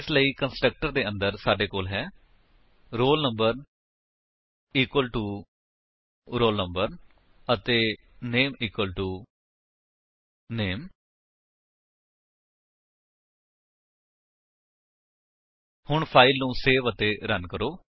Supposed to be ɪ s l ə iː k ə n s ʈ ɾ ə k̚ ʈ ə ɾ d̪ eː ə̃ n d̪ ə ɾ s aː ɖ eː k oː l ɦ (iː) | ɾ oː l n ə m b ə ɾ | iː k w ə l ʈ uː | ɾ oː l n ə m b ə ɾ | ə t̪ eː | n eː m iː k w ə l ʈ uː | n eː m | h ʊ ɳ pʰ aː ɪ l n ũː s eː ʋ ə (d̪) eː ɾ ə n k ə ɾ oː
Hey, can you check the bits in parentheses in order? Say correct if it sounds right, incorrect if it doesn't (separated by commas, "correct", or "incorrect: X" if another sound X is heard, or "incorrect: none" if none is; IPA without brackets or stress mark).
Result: incorrect: ɛː, incorrect: t̪